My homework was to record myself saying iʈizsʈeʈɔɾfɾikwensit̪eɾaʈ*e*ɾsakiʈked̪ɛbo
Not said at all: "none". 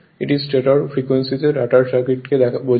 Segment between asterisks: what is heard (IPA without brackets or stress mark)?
a